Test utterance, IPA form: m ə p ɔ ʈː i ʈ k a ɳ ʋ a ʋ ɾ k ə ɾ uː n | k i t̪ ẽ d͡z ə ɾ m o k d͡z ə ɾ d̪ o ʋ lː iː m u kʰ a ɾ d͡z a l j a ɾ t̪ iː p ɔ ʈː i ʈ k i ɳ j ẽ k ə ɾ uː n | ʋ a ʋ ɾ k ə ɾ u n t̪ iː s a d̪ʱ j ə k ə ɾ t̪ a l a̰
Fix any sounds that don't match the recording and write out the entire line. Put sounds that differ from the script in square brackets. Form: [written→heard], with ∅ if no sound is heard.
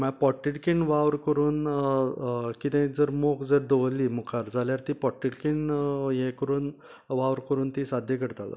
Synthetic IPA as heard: m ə p ɔ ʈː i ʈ k [a→i] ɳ ʋ a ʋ ɾ k ə ɾ uː n | k i t̪ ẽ d͡z ə ɾ m o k d͡z ə ɾ d̪ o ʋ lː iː m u kʰ a ɾ d͡z a l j a ɾ t̪ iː p ɔ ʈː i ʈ k i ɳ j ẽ k ə ɾ uː n | ʋ a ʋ ɾ k ə ɾ [u→uː] n t̪ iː s a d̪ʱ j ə k ə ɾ t̪ a l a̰

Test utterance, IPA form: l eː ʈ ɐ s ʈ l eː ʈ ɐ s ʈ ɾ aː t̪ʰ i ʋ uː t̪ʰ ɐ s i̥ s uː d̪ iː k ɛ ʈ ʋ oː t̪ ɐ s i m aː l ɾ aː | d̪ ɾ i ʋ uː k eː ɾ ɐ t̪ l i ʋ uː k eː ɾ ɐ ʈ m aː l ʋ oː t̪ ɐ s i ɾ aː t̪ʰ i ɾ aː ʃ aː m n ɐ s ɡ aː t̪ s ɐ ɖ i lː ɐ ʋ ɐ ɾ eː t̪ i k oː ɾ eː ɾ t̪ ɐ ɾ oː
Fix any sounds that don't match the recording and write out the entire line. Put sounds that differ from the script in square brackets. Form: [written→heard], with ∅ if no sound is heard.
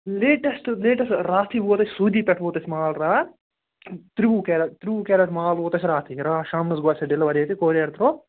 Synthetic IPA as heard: l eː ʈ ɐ s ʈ l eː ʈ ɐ s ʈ ɾ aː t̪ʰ i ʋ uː [t̪ʰ→t̪] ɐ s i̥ s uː d̪ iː [k→p] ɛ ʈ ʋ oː t̪ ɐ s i m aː l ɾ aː | [d̪→t̪] ɾ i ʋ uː k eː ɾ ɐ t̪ [l→ɾ] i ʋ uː k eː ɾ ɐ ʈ m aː l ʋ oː t̪ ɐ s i ɾ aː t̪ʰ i ɾ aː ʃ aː m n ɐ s ɡ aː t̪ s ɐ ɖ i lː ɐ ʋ ɐ ɾ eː t̪ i k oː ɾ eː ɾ t̪ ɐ ɾ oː

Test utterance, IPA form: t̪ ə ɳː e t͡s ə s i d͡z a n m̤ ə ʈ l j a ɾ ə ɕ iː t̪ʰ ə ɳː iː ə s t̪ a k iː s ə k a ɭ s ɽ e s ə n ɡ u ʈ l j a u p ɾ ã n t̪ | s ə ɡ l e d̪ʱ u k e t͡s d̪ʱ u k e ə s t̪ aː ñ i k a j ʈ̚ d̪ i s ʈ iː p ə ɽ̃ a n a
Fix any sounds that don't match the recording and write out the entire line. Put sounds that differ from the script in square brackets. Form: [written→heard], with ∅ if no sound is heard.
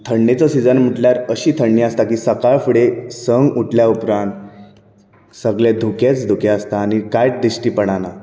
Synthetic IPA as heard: [t̪→t̪ʰ] ə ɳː e t͡s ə s i d͡z [a→ə] n m̤ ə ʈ l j a ɾ ə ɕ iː t̪ʰ ə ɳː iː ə s t̪ a k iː s ə k a ɭ [s→f] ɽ e s ə [n→ŋ] ɡ u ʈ l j a u p ɾ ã n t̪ | s ə ɡ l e d̪ʱ u k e t͡s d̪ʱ u k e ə s t̪ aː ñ i k a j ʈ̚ d̪ i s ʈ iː p ə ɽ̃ a n a

